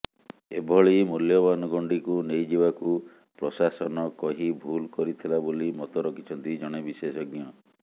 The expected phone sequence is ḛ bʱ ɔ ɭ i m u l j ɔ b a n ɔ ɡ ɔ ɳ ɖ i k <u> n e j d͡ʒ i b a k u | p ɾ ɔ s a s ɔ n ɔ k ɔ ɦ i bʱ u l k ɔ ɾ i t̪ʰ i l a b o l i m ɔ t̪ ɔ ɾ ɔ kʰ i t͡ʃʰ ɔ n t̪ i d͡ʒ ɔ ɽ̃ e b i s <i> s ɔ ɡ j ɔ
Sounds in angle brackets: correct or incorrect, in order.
correct, incorrect: e

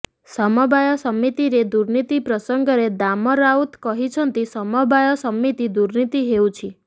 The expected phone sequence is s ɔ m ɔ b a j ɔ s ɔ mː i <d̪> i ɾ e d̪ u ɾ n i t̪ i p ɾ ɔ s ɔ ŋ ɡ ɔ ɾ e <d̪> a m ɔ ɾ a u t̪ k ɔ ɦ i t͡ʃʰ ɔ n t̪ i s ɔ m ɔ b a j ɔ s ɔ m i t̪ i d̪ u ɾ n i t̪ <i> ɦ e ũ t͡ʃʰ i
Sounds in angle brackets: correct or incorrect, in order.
incorrect: t̪, correct, correct

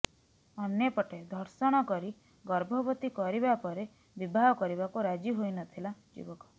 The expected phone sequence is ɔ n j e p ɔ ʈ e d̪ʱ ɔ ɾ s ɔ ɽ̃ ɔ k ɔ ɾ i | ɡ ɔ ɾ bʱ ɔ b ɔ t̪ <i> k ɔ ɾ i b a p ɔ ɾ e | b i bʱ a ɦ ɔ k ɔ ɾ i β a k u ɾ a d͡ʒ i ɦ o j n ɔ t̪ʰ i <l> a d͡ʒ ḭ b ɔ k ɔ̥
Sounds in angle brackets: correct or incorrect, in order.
correct, correct

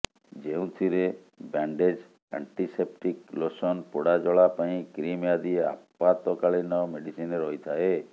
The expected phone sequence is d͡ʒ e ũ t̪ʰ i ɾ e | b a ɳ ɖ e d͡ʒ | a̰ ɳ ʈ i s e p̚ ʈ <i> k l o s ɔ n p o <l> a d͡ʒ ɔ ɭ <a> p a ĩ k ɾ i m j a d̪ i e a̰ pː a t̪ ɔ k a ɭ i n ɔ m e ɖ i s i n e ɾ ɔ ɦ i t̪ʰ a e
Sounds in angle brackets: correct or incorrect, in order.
correct, incorrect: ɽ, correct

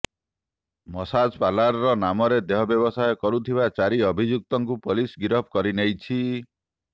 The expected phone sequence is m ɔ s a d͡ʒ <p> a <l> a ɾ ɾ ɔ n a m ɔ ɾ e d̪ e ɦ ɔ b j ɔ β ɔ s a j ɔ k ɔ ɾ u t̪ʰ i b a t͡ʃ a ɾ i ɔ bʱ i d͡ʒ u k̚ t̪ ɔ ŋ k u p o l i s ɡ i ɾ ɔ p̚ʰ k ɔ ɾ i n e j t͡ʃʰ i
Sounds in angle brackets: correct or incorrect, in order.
correct, correct

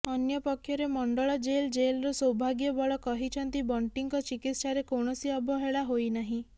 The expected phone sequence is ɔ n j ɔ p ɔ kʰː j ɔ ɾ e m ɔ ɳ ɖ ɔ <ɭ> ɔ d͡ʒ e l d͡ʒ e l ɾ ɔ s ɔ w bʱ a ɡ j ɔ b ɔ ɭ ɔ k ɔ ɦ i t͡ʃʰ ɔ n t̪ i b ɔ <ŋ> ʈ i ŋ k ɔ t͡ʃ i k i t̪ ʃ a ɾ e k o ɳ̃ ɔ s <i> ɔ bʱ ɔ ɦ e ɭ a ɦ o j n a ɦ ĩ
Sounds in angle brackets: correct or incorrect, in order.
correct, incorrect: ɳ, correct

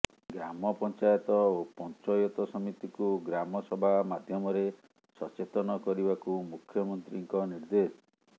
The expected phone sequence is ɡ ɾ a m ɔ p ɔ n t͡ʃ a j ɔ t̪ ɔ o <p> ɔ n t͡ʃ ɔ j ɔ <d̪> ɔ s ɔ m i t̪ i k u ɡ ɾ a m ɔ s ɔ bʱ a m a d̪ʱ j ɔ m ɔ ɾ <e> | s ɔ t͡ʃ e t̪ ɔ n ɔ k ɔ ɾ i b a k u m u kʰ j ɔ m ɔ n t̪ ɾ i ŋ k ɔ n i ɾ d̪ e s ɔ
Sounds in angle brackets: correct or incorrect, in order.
correct, incorrect: t̪, correct

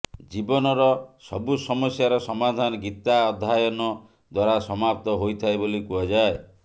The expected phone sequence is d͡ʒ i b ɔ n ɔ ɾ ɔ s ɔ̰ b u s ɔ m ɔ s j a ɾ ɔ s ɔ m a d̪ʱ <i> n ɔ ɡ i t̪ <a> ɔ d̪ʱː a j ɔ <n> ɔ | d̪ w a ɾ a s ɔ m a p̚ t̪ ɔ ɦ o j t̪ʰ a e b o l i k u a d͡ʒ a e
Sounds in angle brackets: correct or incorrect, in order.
incorrect: a, correct, correct

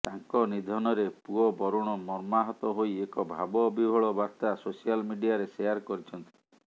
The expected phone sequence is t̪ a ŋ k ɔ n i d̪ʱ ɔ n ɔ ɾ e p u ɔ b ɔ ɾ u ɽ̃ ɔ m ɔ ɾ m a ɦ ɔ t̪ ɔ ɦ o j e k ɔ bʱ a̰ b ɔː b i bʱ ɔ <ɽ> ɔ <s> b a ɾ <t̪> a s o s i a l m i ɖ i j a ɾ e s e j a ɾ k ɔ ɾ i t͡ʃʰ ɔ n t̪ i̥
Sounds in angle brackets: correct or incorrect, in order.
incorrect: ɭ, incorrect: none, correct

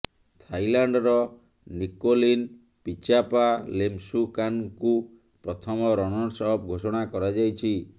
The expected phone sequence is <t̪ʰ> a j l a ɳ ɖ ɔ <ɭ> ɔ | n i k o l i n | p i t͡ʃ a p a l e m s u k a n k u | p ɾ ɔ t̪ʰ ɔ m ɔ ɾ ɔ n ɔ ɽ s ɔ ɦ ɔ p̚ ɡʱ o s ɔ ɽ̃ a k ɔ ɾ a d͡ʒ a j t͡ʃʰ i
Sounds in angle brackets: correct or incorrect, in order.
correct, incorrect: ɾ

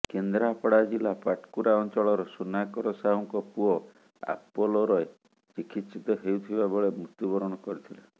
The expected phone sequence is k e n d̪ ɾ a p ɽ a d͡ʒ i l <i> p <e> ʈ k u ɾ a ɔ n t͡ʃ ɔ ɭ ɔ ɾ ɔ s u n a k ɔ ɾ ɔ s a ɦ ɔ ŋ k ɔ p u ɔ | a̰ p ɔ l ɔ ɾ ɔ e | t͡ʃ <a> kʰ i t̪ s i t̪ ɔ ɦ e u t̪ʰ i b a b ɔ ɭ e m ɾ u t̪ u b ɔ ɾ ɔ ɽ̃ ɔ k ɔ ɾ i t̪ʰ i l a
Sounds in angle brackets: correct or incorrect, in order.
incorrect: a, incorrect: a, incorrect: i

